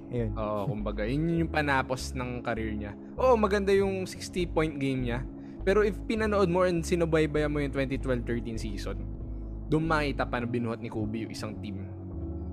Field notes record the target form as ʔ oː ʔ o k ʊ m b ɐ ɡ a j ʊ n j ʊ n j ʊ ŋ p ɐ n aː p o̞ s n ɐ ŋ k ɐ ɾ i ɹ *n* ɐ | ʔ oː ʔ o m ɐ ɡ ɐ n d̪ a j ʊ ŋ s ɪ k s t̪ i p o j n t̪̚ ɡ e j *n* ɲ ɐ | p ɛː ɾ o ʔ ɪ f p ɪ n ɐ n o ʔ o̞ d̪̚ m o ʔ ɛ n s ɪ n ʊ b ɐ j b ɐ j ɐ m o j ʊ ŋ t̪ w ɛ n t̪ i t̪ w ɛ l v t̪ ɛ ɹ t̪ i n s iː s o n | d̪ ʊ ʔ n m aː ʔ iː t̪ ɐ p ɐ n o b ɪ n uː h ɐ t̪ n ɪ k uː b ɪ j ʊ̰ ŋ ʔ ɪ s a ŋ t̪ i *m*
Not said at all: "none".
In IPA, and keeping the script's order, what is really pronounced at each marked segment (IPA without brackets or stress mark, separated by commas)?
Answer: ɲ, m, m